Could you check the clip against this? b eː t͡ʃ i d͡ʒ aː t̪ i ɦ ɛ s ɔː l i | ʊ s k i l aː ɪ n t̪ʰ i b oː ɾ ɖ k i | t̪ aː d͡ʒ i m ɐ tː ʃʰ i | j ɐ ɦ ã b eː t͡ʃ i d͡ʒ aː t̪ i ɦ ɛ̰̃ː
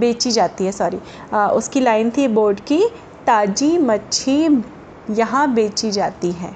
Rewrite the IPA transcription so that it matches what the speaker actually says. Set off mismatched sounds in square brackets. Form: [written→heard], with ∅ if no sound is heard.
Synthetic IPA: b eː t͡ʃ i d͡ʒ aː t̪ i ɦ ɛ s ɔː [l→ɾ] i | ʊ s k i l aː ɪ n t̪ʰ i b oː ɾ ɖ k i | t̪ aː d͡ʒ i m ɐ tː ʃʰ i | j ɐ ɦ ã b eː t͡ʃ i d͡ʒ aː t̪ i ɦ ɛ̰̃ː